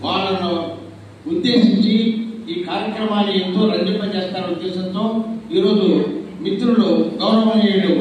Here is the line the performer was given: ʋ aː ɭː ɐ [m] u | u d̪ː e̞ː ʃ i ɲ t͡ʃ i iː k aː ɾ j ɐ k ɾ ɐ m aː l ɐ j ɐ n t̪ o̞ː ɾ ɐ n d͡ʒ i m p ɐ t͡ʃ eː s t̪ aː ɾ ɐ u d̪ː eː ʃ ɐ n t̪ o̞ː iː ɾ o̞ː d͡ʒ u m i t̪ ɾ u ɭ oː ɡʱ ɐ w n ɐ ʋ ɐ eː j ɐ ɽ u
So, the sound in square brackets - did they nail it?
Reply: no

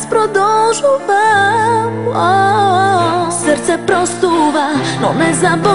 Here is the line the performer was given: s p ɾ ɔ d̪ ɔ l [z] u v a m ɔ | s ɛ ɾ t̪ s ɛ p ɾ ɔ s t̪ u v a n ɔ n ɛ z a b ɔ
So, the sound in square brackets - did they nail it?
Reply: no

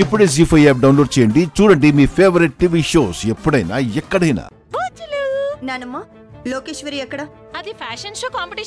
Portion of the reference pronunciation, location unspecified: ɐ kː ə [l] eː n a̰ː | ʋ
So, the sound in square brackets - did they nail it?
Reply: no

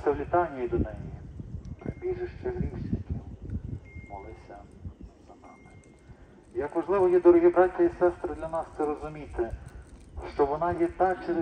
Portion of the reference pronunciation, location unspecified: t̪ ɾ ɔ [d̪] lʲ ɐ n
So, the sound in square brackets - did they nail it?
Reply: yes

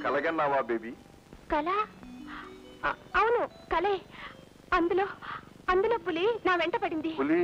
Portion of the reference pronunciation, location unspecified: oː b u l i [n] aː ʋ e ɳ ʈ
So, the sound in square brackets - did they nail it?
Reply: yes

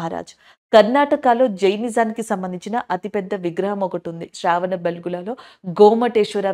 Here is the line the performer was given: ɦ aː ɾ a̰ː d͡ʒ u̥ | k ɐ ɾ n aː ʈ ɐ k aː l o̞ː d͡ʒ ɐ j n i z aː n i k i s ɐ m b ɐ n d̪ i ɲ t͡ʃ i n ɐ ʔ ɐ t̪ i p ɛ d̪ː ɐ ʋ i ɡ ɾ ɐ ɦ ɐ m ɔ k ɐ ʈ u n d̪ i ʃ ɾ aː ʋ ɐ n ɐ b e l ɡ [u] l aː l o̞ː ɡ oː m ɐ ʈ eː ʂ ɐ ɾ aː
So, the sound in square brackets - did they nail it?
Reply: yes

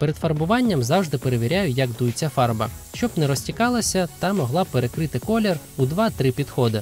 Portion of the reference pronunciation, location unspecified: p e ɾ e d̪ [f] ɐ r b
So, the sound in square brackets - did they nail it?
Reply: yes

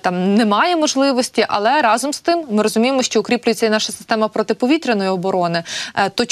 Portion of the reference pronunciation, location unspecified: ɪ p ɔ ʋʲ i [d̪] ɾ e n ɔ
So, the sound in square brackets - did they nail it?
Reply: no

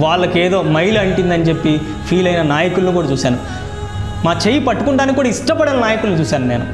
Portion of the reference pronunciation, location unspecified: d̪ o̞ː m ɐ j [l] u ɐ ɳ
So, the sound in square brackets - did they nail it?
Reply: yes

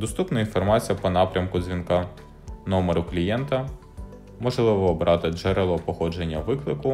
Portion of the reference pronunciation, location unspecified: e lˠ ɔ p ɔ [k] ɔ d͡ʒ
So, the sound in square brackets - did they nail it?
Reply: no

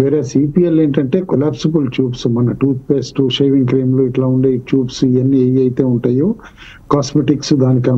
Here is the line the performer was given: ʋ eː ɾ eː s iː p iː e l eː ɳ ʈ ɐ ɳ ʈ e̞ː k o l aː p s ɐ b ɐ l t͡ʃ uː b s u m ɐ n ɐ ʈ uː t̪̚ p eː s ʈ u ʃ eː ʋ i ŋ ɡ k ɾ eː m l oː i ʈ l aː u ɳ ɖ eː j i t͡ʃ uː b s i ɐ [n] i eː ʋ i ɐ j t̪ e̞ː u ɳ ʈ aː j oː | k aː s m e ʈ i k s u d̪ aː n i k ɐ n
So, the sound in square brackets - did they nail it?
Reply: no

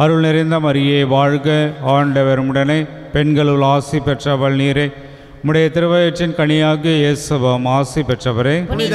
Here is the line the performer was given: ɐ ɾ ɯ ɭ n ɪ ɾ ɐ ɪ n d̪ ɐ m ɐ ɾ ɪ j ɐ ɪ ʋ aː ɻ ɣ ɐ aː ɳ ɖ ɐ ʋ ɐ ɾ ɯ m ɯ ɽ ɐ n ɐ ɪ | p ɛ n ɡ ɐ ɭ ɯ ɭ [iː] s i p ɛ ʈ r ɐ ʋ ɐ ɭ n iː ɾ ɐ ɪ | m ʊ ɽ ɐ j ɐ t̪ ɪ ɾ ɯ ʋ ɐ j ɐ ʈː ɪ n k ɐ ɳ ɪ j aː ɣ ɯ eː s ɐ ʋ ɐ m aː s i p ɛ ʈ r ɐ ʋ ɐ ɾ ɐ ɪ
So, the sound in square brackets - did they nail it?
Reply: no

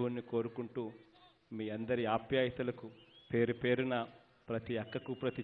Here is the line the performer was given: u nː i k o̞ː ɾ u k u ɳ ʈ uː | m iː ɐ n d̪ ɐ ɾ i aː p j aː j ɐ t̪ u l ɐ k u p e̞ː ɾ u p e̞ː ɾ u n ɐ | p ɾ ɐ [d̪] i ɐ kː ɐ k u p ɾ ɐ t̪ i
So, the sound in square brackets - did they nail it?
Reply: no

